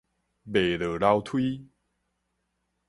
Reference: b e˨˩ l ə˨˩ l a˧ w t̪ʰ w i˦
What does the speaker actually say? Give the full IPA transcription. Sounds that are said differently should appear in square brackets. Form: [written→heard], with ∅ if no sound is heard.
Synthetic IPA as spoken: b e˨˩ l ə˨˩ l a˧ w t̪ʰ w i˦